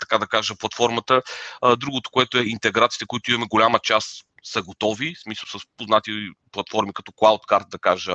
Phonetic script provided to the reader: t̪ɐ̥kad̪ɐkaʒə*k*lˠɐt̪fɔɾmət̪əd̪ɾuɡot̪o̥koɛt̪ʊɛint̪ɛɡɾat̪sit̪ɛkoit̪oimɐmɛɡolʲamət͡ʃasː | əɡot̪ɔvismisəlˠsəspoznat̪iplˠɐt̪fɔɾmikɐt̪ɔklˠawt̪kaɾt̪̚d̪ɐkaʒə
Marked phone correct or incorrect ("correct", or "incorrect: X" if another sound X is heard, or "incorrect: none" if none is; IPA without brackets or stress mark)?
incorrect: p